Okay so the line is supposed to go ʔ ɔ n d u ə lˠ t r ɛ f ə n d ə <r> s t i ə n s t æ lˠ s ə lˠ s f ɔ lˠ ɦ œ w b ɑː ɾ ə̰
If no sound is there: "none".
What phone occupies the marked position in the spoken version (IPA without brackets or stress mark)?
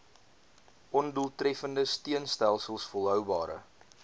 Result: none